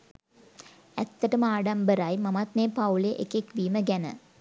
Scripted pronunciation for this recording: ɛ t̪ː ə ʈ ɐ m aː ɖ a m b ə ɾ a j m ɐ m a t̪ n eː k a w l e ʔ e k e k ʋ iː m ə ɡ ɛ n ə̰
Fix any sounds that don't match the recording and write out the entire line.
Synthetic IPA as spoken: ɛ t̪ː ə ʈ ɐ m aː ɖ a m b ə ɾ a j m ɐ m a t̪ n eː p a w l e ʔ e k e k ʋ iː m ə ɡ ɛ n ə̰